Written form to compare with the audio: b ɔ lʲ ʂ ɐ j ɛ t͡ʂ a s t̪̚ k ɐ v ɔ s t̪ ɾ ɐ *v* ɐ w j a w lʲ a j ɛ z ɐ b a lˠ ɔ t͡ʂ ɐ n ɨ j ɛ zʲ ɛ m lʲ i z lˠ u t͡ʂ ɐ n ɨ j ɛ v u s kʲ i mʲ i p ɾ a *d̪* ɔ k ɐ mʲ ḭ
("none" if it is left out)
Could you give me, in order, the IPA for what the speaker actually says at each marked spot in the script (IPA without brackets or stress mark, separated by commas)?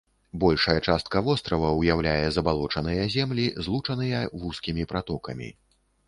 v, t̪